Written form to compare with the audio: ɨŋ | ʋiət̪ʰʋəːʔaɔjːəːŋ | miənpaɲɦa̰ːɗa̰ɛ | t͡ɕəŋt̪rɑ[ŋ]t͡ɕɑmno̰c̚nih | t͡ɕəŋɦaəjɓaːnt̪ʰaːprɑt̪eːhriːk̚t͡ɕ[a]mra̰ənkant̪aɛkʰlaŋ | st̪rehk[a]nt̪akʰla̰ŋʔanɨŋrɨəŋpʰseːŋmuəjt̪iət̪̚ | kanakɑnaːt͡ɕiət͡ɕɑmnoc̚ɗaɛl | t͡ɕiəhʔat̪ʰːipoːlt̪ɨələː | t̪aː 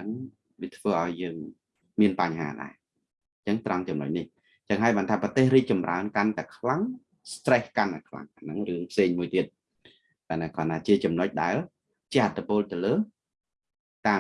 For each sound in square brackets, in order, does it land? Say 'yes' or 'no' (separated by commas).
yes, no, yes